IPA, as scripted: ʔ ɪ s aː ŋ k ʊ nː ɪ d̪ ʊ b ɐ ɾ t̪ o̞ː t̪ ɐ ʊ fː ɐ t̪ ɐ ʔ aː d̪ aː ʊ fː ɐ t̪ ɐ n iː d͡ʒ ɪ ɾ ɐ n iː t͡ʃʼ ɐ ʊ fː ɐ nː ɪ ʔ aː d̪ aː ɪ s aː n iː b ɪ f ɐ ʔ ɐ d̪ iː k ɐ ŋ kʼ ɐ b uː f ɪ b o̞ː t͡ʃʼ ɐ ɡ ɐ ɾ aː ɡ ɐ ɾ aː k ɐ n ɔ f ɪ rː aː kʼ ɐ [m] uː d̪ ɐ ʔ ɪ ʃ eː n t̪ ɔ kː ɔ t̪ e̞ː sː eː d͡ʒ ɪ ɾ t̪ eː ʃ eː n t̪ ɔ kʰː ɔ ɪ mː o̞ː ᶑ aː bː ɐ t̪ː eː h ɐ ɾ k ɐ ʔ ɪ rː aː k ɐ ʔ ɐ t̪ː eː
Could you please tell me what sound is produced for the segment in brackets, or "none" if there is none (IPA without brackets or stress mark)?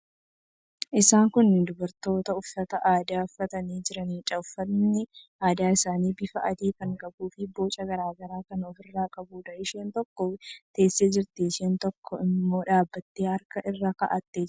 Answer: b